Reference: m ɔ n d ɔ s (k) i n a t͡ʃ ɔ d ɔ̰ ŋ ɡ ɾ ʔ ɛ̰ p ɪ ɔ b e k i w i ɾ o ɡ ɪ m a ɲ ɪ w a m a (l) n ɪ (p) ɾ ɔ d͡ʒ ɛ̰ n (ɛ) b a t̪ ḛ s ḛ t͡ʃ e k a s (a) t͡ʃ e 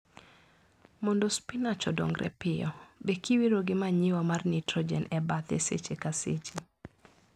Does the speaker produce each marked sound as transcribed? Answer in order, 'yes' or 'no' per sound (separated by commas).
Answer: no, no, no, yes, no